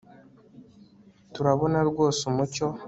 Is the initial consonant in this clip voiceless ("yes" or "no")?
yes